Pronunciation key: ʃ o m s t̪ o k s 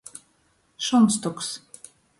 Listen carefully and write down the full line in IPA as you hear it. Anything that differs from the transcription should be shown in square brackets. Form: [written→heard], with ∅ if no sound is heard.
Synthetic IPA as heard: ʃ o [m→n] s t̪ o k s